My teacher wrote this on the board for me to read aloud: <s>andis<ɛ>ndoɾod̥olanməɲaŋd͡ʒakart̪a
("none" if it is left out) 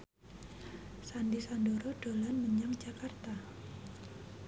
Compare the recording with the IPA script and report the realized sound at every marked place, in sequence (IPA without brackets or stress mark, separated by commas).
s, a